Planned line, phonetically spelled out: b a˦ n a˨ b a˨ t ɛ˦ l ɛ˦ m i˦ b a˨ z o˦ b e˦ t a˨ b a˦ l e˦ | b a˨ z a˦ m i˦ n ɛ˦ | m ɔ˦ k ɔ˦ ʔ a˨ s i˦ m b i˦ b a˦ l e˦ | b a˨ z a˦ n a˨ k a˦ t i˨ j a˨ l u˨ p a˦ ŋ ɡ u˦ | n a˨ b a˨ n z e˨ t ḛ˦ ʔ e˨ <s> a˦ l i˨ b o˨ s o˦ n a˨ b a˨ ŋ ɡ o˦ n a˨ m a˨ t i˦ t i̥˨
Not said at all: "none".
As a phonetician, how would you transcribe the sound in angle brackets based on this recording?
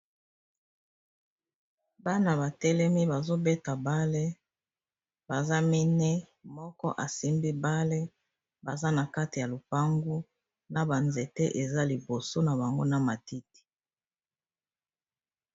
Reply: z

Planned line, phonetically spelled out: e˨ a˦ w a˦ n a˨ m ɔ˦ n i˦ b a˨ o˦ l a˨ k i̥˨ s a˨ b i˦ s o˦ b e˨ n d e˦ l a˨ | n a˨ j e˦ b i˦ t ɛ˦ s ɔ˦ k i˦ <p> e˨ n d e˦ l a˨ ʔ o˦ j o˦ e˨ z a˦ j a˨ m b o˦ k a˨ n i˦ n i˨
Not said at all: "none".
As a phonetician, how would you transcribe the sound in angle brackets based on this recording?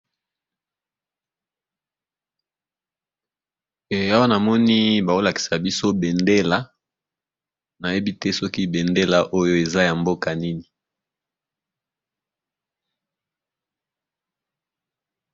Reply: b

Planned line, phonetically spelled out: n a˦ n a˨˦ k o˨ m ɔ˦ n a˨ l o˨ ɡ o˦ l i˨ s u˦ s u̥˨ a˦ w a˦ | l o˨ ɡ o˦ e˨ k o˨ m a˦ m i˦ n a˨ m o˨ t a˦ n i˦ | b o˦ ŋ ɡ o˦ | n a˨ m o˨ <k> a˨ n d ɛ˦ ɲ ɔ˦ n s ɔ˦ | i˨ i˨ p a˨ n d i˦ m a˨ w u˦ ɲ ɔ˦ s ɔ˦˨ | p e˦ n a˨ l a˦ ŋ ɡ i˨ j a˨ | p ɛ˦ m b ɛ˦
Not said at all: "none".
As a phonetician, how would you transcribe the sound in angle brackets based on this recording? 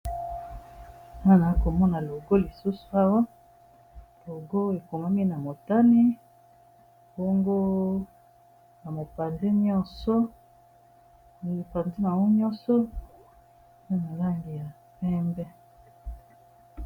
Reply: p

